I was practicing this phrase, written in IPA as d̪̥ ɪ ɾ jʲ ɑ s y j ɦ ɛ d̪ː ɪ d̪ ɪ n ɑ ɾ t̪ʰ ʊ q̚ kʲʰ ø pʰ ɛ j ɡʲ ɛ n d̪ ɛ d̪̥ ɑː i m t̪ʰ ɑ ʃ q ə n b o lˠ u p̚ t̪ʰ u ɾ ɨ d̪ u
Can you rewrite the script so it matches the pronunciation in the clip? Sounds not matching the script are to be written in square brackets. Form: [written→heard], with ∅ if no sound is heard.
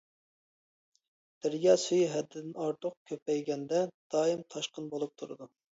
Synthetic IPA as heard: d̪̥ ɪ ɾ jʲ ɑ s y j ɦ ɛ d̪ː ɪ d̪ ɪ n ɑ ɾ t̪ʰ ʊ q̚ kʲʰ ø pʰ ɛ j ɡʲ ɛ n d̪ ɛ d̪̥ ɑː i m t̪ʰ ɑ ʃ q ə n b o lˠ u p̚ t̪ʰ u ɾ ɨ d̪ u

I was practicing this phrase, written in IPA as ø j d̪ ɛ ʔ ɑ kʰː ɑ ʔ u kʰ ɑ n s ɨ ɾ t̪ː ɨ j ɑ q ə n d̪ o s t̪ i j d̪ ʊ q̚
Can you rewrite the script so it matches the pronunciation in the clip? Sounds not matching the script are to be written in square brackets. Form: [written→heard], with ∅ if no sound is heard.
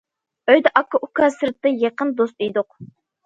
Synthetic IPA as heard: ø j d̪ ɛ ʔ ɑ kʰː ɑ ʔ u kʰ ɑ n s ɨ ɾ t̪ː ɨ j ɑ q ə n d̪ o s t̪ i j d̪ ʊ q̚

